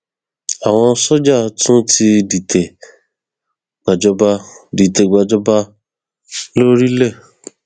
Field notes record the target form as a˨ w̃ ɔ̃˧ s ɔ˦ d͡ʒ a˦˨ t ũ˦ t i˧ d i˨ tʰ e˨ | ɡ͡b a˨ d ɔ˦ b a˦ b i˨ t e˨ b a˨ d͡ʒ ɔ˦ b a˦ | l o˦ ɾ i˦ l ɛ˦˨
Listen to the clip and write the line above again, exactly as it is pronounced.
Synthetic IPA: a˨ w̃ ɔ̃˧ s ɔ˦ d͡ʒ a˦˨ t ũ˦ t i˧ d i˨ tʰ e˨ | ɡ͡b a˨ d͡ʒ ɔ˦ b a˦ d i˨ t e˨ ɡ͡b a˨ d͡ʒ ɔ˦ b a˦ | l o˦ ɾ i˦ l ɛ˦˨